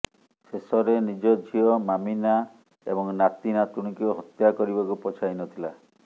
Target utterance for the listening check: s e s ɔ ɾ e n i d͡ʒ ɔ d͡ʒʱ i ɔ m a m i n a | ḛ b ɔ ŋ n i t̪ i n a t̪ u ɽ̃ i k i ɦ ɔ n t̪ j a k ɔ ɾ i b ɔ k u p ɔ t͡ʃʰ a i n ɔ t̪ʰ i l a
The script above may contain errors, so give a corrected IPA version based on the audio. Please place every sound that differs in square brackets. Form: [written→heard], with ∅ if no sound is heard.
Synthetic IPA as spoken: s e s ɔ ɾ e n i d͡ʒ ɔ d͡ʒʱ i ɔ m a m i n a | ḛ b ɔ ŋ n [i→a] t̪ i n a t̪ u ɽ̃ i k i ɦ ɔ [n→∅] t̪ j a k ɔ ɾ i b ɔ k u p ɔ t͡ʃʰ a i n ɔ t̪ʰ i l a